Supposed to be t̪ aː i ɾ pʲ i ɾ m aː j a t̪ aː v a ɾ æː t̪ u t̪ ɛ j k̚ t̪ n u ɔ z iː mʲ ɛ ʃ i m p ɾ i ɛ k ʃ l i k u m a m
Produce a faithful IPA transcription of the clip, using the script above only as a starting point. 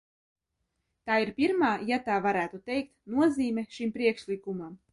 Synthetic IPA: t̪ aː i ɾ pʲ i ɾ m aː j a t̪ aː v a ɾ æː t̪ u t̪ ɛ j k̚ t̪ n u ɔ z iː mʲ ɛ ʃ i m p ɾ i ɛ k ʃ l i k u m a m